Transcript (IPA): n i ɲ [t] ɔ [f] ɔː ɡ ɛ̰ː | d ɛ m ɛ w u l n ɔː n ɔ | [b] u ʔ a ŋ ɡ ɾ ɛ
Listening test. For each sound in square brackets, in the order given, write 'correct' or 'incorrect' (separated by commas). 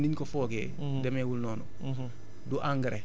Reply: incorrect, correct, incorrect